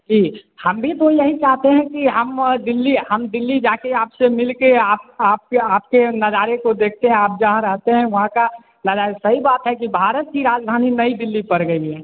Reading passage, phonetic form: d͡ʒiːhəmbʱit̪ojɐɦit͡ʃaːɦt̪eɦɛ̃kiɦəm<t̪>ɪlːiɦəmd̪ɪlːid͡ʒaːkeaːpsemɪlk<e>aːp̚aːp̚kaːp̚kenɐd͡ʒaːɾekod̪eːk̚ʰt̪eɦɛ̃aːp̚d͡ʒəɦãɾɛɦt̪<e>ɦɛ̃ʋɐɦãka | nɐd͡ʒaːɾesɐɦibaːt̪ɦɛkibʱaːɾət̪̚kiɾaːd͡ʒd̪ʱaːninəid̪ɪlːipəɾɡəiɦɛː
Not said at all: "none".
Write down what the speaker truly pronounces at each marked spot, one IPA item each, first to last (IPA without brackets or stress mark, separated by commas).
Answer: d̪, e, e